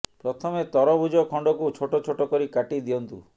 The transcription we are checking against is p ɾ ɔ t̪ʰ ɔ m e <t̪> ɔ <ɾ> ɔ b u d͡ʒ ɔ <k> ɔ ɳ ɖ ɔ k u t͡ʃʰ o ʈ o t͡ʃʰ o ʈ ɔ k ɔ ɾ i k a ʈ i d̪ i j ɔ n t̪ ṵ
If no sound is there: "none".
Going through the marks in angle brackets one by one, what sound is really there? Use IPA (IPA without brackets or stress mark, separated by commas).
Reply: t̪, ɾ, kʰ